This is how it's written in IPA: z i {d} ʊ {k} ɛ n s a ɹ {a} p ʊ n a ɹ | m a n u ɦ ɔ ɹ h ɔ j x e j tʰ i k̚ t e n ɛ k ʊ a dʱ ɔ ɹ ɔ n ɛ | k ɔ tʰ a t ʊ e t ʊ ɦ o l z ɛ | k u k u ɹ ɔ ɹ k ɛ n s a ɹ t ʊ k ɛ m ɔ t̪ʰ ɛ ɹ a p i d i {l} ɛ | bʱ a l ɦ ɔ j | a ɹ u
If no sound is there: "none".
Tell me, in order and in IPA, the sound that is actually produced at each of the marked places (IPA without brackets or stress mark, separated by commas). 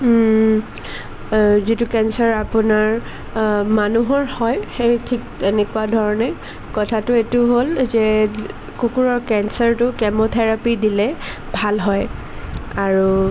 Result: t, k, a, l